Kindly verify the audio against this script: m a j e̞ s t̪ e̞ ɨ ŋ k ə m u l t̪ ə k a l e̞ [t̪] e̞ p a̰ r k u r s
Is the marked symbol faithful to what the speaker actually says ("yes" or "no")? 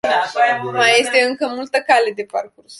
no